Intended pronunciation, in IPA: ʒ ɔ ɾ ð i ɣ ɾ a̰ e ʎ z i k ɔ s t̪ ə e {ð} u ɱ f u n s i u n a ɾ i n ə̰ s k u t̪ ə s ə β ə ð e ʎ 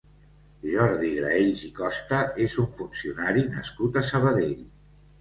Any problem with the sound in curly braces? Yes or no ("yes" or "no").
yes